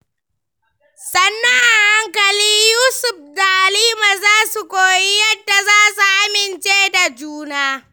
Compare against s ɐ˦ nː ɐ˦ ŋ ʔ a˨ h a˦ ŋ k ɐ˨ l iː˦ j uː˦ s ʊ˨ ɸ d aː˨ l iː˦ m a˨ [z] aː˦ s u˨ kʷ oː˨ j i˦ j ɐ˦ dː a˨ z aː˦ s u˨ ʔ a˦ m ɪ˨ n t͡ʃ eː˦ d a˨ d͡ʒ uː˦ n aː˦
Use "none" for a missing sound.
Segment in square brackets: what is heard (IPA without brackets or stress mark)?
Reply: z